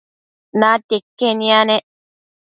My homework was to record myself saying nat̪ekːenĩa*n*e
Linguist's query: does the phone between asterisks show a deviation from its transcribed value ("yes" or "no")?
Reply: no